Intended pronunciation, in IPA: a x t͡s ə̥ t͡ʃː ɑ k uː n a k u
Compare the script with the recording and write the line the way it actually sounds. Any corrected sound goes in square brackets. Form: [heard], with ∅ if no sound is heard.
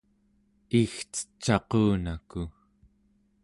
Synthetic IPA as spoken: [i] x t͡s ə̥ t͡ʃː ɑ [q] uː n a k u

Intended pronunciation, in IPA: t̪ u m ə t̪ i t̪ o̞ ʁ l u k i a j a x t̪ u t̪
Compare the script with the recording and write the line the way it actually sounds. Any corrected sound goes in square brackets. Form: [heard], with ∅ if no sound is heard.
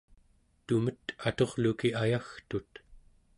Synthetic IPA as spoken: t̪ u m ə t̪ [a] t̪ o̞ ʁ l u k i a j a x t̪ u t̪

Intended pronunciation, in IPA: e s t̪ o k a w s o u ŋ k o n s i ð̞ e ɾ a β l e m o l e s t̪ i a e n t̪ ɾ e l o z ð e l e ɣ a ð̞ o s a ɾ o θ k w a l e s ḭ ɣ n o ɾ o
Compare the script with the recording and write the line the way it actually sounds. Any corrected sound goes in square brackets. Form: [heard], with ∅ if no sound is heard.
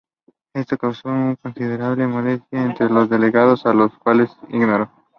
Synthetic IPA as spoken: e s t̪ o k a w s o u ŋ k o n s i ð̞ e ɾ a β l e m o l e s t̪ [j] a e n t̪ ɾ e l o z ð e l e ɣ a ð̞ o s a [l] o [s] k w a l e s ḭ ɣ n o ɾ o

